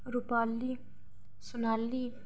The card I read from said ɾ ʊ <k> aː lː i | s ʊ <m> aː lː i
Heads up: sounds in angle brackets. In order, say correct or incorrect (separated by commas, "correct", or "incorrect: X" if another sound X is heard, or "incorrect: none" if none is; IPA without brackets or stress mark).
incorrect: p, incorrect: n